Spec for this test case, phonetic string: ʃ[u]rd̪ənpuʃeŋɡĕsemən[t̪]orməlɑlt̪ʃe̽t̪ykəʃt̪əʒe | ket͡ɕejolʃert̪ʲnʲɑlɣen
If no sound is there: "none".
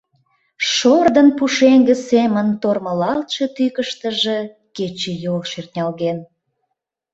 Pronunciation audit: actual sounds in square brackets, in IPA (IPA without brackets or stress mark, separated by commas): o, t̪